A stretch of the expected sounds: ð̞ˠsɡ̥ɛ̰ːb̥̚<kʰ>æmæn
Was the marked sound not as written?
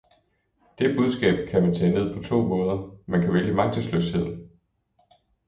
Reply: no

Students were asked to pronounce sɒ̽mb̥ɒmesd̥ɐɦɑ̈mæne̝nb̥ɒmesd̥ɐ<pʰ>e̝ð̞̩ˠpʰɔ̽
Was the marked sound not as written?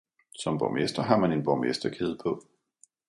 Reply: yes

